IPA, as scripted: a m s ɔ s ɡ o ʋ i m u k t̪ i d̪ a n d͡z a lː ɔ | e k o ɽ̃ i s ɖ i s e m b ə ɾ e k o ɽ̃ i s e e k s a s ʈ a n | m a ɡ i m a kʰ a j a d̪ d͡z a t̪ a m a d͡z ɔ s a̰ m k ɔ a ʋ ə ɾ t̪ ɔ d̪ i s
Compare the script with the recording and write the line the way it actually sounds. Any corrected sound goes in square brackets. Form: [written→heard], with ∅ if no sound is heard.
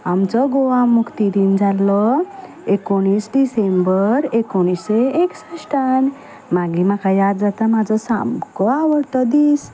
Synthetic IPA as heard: a m [s→t͡s] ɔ [s→∅] ɡ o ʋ [i→a] m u k t̪ i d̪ [a→i] n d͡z a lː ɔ | e k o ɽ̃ i s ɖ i s e m b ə ɾ e k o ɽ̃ i s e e k s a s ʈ a n | m a ɡ i m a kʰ a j a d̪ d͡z a t̪ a m a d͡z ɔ s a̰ m k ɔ a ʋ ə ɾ t̪ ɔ d̪ i s